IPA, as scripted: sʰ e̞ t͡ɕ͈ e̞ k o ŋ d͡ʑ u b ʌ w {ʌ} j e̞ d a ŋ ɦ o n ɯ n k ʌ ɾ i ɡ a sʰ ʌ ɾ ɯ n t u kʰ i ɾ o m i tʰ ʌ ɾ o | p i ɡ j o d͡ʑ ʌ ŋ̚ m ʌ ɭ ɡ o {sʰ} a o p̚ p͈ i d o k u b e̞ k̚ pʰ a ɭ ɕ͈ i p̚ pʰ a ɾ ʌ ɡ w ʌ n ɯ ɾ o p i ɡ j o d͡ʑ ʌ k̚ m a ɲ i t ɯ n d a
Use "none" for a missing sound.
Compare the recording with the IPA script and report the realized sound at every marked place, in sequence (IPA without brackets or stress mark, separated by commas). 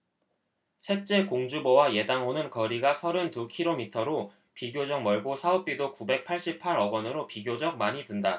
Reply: a, sʰ